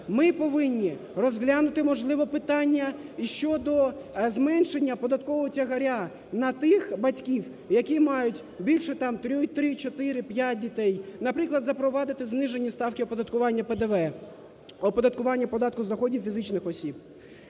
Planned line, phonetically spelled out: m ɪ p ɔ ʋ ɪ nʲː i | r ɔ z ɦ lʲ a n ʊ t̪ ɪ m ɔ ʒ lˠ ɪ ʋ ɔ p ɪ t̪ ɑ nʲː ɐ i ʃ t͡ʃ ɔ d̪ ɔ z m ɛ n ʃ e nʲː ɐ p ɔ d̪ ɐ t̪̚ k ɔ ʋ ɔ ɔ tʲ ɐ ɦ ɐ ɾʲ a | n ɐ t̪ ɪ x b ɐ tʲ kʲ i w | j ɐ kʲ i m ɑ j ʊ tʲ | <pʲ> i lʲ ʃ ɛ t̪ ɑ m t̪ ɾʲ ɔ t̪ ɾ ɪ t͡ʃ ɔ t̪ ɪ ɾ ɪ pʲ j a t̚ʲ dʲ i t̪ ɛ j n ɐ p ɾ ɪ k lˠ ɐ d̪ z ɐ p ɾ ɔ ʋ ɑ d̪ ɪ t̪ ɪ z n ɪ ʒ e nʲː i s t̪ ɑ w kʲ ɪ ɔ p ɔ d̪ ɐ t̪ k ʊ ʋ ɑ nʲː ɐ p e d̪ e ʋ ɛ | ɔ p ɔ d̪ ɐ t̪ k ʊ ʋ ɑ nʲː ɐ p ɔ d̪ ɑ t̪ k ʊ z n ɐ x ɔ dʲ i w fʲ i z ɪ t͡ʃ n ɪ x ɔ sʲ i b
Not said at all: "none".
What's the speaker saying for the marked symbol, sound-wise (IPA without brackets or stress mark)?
bʲ